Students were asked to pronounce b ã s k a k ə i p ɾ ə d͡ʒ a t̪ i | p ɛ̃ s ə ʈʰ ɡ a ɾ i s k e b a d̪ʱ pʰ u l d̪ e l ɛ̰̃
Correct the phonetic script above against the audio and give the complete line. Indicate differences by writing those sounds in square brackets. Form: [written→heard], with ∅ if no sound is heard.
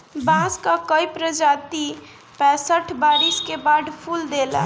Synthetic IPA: b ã s k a k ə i p ɾ ə d͡ʒ a t̪ i | p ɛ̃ s ə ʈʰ [ɡ→b] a ɾ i s k e b a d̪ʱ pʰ u l d̪ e l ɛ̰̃